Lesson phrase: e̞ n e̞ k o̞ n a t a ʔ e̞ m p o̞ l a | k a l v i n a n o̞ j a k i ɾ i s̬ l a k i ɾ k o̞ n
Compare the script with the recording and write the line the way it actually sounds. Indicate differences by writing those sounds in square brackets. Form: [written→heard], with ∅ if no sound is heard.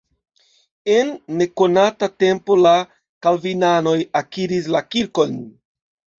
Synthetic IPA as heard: e̞ [n→nː] e̞ k o̞ n a t a [ʔ→t] e̞ m p o̞ l a | k a l v i n a n o̞ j a k i ɾ i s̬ l a k i ɾ k o̞ n